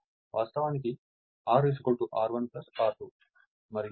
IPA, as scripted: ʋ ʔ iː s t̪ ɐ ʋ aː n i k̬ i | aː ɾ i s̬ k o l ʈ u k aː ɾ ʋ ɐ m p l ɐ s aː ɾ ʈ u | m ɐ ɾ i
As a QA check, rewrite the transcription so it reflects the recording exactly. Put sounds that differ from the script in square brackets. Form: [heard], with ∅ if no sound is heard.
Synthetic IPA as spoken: ʋ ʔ [aː] s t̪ ɐ ʋ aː n i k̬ i | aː ɾ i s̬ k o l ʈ u [ʔ] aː ɾ ʋ ɐ [n] p l ɐ s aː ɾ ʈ u | m ɐ ɾ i